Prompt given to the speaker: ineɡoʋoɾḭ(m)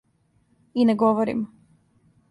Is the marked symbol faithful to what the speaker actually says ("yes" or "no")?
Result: yes